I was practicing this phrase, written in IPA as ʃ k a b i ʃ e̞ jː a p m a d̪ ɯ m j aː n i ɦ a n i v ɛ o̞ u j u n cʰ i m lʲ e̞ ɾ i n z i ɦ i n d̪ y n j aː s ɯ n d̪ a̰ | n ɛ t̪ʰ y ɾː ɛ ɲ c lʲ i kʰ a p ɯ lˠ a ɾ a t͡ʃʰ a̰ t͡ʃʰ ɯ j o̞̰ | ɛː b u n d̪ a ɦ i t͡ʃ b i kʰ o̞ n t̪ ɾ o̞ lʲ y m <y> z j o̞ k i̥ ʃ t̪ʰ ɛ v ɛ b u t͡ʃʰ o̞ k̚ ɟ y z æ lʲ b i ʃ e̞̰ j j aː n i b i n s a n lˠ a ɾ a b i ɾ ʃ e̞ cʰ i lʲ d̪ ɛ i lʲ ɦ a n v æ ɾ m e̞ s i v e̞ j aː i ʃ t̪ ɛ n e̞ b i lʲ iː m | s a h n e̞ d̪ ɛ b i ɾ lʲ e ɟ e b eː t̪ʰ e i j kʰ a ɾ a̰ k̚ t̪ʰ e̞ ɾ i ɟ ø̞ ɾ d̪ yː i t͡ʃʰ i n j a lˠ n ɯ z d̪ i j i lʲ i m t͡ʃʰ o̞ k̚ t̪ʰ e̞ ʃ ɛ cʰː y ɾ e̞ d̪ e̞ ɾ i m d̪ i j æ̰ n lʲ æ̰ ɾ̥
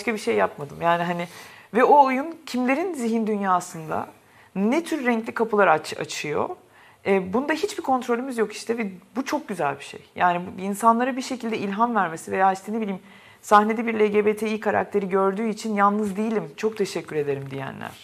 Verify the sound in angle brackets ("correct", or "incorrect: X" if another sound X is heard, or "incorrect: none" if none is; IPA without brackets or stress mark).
incorrect: i